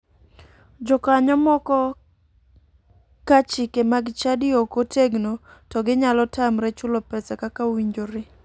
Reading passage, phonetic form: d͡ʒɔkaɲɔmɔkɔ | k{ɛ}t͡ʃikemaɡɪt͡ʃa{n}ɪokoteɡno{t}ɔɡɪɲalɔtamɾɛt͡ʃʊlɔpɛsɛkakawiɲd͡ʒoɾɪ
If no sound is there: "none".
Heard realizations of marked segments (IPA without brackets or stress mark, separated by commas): a, d, t